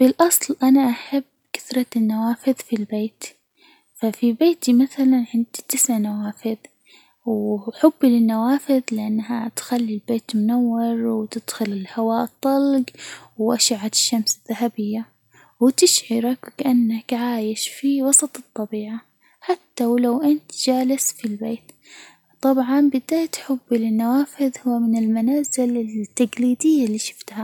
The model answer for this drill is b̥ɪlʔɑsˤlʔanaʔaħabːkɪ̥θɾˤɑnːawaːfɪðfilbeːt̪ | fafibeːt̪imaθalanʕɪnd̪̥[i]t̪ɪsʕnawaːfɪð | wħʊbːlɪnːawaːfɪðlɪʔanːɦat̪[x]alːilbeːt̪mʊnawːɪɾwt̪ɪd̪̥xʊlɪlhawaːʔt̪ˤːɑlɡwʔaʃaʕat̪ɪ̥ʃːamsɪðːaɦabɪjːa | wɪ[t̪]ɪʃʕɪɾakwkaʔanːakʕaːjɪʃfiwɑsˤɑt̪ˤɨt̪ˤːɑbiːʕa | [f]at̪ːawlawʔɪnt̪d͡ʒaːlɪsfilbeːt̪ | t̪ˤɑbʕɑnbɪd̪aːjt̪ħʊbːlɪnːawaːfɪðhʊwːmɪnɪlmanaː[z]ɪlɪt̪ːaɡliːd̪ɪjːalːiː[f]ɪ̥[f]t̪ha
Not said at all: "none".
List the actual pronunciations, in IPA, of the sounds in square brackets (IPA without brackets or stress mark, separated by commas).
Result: i, x, t̪, ħ, z, ʃ, f